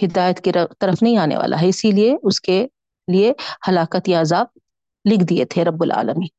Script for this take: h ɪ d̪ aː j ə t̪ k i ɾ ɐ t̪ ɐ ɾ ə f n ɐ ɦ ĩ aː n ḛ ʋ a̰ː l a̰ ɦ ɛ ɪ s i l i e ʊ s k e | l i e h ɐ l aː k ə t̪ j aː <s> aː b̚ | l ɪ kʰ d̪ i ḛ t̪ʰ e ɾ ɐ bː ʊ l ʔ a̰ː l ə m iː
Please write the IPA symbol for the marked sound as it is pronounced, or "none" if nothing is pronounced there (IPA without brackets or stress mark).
z